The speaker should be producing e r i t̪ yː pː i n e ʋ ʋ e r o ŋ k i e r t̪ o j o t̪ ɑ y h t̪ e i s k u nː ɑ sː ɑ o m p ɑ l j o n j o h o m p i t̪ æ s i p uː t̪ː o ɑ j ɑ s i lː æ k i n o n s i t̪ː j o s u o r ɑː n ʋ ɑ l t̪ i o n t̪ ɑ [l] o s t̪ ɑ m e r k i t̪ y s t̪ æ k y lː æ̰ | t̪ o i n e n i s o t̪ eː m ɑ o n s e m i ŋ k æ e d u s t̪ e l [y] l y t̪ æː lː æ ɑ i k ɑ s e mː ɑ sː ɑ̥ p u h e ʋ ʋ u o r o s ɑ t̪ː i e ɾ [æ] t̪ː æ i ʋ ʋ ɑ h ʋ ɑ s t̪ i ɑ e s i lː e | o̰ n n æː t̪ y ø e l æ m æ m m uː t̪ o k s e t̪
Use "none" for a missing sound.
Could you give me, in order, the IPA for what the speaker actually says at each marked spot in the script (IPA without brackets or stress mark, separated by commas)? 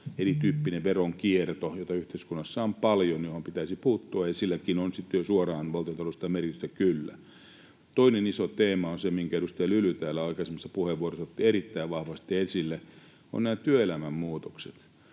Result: l, y, i